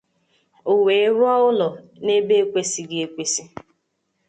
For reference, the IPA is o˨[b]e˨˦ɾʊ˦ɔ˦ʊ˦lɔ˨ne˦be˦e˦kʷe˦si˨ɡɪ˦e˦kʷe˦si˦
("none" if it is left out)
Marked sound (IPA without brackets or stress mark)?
w